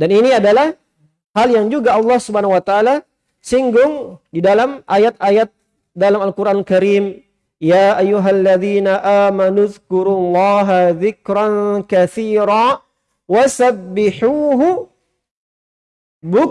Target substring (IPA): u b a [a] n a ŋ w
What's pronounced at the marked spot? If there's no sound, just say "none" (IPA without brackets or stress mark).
a